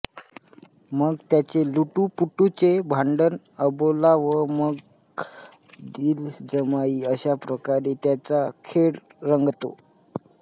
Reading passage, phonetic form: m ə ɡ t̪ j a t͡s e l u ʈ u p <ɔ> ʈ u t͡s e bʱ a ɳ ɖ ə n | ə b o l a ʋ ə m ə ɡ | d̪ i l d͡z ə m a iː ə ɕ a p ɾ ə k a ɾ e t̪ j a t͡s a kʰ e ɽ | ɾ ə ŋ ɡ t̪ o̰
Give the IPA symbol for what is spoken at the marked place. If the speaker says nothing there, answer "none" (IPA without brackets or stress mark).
u